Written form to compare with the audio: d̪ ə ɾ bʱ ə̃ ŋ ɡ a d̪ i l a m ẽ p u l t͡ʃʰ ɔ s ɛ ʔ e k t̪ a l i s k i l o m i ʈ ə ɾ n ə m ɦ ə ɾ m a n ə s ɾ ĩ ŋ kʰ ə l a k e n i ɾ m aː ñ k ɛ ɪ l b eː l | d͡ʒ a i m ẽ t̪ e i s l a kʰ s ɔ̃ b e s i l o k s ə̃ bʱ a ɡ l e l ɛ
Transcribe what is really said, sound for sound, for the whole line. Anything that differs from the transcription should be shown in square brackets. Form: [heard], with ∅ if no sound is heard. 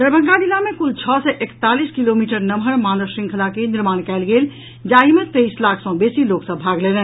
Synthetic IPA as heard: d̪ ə ɾ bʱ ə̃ ŋ ɡ a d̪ i l a m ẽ [k] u l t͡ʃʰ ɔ s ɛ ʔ e k t̪ a l i s k i l o m i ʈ ə ɾ n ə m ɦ ə ɾ m a n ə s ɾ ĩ ŋ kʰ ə l a k e n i ɾ m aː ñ k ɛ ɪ l [ɡ] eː l | d͡ʒ a i m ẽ t̪ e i s l a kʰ s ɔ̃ b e s i l o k s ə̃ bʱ a ɡ l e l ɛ